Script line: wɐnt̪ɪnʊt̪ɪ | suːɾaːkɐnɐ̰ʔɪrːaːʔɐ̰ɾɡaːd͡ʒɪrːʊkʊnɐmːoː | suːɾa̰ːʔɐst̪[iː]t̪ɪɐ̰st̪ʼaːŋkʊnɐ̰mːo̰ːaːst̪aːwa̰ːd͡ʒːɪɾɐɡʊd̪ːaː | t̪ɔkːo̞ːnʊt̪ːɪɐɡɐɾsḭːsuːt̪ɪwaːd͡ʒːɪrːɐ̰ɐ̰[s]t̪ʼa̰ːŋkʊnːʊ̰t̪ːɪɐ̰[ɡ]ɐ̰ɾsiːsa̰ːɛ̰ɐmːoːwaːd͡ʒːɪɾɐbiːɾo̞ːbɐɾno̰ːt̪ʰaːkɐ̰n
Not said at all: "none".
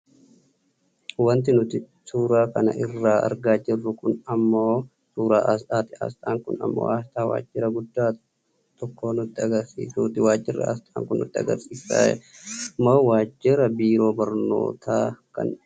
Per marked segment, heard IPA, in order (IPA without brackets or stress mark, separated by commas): aː, s, ɡ